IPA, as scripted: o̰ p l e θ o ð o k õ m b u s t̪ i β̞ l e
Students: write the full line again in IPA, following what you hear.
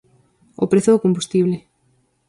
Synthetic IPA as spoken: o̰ p ɾ e θ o ð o k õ m b u s t̪ i β̞ l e